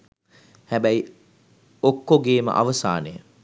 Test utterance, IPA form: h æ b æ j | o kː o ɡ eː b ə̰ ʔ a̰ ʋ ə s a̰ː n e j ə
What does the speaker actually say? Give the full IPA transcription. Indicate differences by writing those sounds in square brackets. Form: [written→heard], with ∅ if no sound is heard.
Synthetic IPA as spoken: h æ b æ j | o kː o ɡ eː [b→m] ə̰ ʔ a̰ ʋ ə s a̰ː n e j ə